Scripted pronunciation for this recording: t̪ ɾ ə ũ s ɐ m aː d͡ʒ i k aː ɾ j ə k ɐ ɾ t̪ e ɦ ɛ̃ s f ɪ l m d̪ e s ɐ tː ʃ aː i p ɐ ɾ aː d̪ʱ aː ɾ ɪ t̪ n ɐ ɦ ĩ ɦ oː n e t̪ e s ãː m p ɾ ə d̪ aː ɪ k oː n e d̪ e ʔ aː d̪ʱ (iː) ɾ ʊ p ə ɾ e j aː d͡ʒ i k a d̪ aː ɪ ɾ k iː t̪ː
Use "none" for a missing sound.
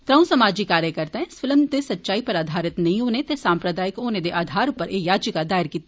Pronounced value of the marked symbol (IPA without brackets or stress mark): aː